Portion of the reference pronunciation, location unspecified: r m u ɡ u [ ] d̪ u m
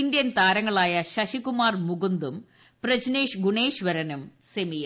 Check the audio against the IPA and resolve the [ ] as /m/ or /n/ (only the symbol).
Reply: n